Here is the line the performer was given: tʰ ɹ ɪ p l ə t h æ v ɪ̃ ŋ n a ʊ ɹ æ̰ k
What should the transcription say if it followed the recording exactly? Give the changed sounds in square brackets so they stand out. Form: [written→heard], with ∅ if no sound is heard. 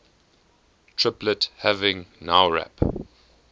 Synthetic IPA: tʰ ɹ ɪ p l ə t h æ v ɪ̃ ŋ n a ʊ ɹ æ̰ [k→p]